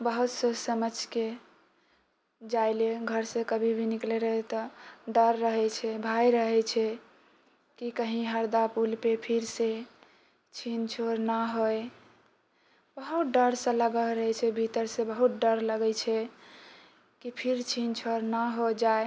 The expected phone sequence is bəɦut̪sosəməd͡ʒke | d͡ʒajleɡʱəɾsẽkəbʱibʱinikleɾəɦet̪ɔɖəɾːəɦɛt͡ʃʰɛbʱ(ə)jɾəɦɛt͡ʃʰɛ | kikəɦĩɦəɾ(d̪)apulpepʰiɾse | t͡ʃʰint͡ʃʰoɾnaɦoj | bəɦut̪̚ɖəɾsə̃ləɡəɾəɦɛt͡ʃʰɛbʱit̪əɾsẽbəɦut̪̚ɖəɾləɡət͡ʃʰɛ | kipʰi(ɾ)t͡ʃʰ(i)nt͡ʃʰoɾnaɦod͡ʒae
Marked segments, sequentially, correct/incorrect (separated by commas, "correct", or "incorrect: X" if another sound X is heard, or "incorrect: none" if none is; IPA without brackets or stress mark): incorrect: a, correct, correct, correct